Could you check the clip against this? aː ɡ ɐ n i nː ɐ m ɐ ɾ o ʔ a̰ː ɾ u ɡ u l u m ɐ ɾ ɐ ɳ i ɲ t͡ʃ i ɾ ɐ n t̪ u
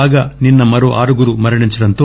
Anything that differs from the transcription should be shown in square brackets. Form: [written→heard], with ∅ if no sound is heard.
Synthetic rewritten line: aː ɡ ɐ n i nː ɐ m ɐ ɾ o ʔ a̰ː ɾ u ɡ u [l→ɾ] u m ɐ ɾ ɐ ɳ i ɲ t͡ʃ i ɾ ɐ n t̪ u